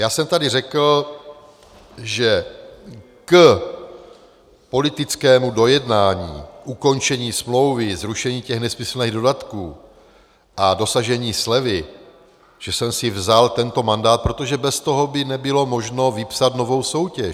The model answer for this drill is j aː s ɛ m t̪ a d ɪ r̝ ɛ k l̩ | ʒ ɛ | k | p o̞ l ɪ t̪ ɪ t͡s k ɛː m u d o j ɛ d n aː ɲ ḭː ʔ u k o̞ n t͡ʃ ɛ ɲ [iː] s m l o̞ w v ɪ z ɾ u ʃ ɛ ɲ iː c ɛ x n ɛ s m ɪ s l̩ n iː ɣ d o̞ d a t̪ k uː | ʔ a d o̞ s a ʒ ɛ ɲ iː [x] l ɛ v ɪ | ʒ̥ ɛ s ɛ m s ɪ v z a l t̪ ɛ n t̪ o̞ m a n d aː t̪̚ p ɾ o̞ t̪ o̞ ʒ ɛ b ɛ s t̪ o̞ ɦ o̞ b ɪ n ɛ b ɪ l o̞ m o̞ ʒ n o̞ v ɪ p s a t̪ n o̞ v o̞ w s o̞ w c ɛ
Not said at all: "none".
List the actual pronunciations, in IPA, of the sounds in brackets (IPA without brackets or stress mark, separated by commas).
iː, s